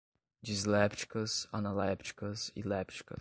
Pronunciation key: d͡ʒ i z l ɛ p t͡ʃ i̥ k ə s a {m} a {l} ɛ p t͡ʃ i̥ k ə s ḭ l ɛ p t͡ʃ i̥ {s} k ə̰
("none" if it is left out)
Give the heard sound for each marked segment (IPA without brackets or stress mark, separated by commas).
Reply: n, l, none